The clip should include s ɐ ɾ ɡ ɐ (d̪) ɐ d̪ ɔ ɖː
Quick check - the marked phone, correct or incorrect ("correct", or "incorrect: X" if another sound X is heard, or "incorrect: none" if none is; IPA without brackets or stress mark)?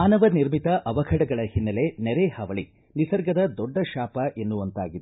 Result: correct